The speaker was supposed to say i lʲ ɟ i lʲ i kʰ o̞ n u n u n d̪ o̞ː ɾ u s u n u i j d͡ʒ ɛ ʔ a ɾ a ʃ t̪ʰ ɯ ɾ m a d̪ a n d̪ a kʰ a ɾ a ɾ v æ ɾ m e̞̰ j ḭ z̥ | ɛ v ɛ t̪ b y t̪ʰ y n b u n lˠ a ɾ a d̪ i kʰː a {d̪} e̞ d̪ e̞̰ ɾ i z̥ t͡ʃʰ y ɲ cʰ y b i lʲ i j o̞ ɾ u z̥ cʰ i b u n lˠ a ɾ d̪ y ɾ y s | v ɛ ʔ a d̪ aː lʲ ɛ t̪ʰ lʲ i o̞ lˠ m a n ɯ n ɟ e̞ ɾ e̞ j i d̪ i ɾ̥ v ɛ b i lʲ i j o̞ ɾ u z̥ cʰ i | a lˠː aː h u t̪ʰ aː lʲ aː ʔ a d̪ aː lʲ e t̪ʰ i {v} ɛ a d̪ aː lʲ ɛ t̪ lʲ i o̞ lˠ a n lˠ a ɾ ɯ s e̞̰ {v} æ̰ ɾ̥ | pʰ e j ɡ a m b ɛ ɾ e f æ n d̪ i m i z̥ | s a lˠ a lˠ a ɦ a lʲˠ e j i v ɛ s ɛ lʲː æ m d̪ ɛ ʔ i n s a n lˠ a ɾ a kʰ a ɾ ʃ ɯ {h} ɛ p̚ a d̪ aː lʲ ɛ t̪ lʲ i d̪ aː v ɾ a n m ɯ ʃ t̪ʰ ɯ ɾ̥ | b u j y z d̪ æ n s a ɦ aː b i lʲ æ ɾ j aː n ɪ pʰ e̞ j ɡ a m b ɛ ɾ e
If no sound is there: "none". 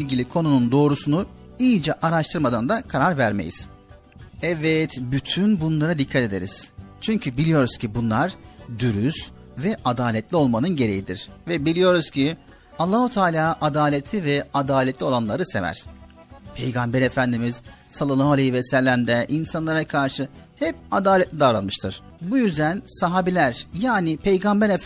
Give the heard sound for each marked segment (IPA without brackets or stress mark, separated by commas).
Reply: t̪, v, v, h